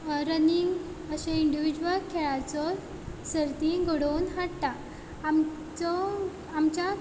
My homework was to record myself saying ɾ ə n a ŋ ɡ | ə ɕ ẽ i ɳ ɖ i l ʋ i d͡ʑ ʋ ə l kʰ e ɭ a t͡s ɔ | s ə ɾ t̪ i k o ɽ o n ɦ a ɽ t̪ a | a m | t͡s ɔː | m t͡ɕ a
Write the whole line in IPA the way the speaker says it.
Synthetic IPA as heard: ɾ ə n i ŋ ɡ | ə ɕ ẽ i ɳ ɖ i ʋ i d͡ʑ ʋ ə l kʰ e ɭ a t͡s ɔ | s ə ɾ t̪ i ɡ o ɽ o n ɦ a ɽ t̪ a | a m | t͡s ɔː | m t͡ɕ a

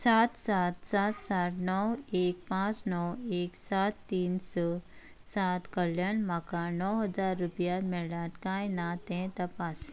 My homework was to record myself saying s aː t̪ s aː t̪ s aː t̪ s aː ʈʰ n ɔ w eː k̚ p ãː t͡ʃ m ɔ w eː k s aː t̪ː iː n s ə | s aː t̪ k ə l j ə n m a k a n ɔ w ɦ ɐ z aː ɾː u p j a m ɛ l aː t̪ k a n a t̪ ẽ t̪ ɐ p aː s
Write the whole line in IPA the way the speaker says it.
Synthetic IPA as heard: s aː t̪ s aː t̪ s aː t̪ s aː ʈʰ n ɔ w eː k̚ p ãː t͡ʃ n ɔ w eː k s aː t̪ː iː n s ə | s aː t̪ k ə l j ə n m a k a n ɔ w ɦ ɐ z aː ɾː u p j a m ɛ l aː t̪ k a n a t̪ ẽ t̪ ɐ p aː s

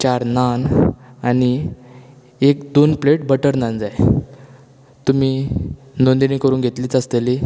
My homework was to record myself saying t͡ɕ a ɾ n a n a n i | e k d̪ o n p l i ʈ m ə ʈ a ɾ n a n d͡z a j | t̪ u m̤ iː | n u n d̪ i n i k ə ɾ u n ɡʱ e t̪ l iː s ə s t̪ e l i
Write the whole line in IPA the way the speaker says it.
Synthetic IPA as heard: t͡ɕ a ɾ n a n a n i | e k d̪ o n p l e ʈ b ə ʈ ə ɾ n a n d͡z a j | t̪ u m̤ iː | n o n d̪ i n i k ə ɾ uː n ɡʱ e t̪ l iː t͡s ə s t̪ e l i

